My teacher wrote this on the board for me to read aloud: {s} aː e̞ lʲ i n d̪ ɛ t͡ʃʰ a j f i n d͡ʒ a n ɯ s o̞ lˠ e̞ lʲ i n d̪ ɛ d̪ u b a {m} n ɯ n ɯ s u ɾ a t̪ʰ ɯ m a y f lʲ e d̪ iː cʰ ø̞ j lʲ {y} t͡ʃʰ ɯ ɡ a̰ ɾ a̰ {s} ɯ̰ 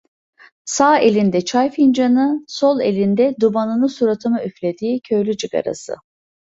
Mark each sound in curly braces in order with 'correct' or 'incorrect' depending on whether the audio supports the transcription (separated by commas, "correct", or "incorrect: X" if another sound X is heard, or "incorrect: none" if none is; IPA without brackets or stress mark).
correct, incorrect: none, correct, correct